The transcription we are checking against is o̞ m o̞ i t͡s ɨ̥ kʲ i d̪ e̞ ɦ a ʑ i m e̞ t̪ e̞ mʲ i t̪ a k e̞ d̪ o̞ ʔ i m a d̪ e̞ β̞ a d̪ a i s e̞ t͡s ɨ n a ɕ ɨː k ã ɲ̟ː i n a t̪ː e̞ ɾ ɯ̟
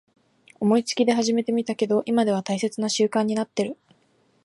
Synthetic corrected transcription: o̞ m o̞ i t͡s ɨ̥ kʲ i d̪ e̞ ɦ a ʑ i m e̞ t̪ e̞ mʲ i t̪ a k e̞ d̪ o̞ ʔ i m a d̪ e̞ β̞ a t̪ a i s e̞ t͡s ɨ n a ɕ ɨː k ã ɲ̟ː i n a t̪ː e̞ ɾ ɯ̟